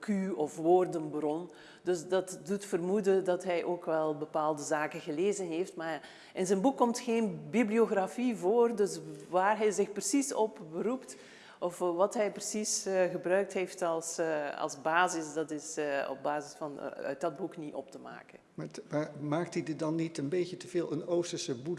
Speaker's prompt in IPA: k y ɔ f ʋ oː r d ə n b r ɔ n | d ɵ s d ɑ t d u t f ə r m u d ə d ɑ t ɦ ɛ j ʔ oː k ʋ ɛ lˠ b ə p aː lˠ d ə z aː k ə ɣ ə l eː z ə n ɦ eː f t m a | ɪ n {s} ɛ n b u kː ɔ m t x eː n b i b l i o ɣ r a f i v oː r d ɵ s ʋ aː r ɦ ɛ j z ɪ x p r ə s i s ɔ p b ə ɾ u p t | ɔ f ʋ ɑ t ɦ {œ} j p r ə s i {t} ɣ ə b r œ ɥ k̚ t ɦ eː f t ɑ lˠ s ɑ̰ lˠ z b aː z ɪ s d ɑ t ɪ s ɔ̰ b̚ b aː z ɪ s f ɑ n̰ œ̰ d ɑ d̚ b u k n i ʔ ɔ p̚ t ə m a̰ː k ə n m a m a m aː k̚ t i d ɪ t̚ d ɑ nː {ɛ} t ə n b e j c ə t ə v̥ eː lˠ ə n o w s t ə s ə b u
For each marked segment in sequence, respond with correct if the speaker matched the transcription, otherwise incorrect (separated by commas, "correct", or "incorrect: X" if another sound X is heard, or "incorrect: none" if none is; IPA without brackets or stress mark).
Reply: incorrect: z, incorrect: ɛ, incorrect: s, incorrect: i